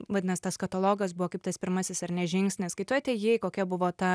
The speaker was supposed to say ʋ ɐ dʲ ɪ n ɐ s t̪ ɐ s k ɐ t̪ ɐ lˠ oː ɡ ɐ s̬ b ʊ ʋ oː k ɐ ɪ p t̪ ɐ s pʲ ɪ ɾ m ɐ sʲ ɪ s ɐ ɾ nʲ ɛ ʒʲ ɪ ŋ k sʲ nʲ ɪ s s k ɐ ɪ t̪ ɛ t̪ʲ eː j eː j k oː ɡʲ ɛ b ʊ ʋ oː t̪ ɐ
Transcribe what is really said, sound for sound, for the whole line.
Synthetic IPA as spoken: ʋ ɐ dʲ ɪ n ɐ s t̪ ɐ s k ɐ t̪ ɐ lˠ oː ɡ ɐ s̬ b ʊ ʋ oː k ɐ ɪ p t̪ ɐ s pʲ ɪ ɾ m ɐ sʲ ɪ s ɐ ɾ nʲ ɛ ʒʲ ɪ ŋ k sʲ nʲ ɪ s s k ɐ ɪ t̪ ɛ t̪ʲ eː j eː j k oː kʲ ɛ b ʊ ʋ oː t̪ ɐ